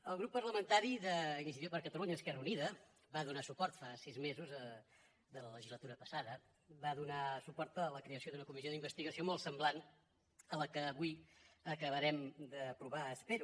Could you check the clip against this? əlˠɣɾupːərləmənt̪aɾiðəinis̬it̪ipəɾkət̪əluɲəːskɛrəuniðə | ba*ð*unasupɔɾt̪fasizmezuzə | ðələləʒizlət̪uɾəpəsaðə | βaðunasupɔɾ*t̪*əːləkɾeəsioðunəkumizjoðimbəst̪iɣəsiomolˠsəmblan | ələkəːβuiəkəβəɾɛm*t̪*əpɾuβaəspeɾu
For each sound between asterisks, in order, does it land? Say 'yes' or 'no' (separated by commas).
yes, yes, no